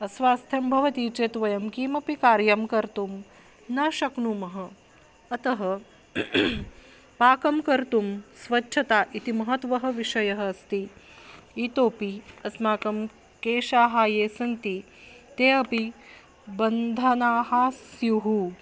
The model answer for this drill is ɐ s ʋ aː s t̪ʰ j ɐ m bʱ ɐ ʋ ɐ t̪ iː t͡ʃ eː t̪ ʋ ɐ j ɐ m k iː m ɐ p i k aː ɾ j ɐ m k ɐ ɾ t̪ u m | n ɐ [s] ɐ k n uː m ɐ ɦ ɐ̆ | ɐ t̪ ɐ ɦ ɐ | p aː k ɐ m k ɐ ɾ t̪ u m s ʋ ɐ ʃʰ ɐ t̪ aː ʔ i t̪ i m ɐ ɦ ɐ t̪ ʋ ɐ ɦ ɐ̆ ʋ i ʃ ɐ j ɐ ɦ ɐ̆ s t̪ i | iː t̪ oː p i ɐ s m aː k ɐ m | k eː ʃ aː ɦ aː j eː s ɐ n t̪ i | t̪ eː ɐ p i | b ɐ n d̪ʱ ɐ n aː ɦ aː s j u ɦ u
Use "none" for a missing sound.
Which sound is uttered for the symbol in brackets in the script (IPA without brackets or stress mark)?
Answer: ʃ